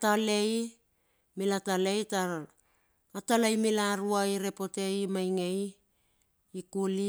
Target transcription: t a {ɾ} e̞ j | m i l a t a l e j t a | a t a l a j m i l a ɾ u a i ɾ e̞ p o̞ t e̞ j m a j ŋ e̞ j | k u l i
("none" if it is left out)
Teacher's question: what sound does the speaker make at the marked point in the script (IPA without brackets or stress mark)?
l